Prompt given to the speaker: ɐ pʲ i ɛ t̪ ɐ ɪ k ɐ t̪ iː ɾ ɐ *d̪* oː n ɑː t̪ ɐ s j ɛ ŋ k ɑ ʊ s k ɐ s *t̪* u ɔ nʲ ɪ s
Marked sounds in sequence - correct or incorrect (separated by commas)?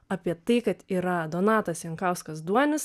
correct, incorrect